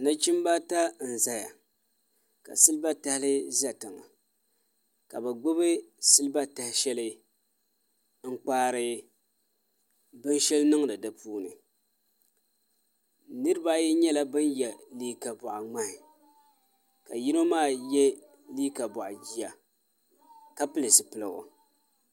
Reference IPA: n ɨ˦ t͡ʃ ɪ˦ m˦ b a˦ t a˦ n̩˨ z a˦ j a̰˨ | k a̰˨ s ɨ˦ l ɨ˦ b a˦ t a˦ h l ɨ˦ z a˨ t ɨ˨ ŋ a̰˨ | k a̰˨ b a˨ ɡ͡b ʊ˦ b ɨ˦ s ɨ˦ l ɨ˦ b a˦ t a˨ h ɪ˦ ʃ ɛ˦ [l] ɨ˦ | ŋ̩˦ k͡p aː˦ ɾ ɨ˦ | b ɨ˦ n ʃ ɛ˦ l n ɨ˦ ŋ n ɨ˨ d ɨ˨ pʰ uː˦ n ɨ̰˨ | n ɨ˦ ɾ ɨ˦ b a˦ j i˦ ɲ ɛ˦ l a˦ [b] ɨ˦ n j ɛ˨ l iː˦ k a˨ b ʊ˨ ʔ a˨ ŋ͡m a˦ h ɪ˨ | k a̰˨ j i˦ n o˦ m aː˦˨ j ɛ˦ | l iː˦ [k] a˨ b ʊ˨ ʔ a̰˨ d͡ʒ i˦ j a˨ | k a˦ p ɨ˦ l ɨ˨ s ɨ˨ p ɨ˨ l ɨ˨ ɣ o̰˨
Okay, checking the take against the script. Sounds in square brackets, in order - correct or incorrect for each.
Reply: correct, correct, correct

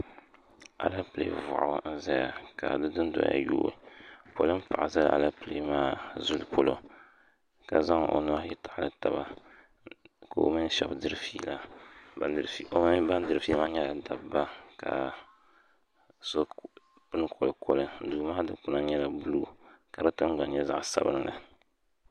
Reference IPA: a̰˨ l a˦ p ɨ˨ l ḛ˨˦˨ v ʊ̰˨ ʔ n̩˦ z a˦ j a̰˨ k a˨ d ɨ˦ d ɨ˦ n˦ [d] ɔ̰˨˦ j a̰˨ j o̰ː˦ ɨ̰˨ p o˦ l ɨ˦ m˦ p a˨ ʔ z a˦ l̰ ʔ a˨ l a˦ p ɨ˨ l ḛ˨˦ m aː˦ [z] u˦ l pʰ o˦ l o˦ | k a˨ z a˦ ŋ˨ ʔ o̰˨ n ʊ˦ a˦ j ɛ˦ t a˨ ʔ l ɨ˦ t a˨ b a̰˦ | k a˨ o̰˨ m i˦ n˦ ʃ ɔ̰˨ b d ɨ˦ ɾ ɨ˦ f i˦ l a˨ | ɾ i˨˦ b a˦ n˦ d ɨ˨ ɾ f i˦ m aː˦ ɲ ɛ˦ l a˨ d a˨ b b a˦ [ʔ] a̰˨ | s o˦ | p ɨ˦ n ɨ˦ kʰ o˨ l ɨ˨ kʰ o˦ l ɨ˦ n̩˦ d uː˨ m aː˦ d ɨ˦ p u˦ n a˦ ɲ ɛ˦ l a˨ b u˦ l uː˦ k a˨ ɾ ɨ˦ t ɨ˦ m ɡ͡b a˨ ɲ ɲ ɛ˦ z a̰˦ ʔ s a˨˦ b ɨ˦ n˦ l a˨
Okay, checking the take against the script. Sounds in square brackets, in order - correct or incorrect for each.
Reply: correct, correct, incorrect: k

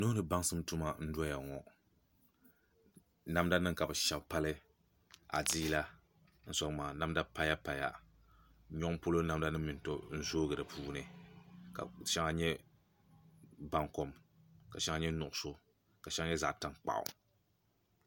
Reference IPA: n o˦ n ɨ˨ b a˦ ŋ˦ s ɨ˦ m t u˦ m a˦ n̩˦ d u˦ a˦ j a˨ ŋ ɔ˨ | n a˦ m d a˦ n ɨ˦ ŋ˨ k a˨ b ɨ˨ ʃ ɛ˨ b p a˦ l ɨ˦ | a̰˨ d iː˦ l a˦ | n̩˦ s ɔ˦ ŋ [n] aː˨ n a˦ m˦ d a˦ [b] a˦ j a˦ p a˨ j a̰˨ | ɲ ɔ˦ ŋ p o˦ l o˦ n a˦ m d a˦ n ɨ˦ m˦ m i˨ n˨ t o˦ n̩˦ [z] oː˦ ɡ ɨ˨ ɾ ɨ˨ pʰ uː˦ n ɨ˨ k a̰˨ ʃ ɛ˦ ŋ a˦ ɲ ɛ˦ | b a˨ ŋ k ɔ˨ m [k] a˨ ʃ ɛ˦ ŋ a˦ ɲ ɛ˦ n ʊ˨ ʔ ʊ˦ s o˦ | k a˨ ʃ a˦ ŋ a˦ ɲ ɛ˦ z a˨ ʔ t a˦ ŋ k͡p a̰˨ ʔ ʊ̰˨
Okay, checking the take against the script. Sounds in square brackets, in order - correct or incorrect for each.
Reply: incorrect: m, incorrect: p, correct, correct

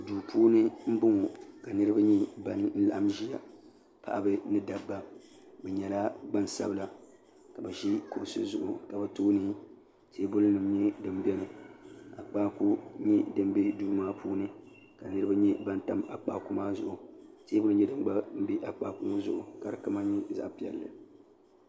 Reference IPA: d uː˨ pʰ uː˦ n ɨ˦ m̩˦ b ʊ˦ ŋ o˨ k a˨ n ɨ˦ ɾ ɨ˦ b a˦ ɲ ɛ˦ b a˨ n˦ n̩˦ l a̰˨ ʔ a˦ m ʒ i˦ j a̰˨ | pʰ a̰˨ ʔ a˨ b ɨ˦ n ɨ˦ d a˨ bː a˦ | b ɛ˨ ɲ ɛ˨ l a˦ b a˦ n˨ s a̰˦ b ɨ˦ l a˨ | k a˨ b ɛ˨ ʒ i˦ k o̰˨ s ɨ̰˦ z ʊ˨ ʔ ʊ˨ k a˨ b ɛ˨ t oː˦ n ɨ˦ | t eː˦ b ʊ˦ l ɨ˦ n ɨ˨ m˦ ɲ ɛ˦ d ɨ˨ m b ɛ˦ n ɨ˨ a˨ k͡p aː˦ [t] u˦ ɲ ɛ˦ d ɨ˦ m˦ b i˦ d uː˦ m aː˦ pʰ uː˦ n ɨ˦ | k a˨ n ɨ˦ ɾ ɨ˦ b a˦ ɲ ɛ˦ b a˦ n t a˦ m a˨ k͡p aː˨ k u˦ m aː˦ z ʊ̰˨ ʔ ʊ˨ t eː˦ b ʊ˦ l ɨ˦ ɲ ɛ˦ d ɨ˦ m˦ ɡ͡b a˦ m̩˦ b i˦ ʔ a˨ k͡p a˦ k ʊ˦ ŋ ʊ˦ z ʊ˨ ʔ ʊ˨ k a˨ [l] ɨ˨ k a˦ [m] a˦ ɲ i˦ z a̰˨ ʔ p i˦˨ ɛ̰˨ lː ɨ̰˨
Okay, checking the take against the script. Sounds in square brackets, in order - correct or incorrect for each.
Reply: incorrect: k, incorrect: ɾ, correct

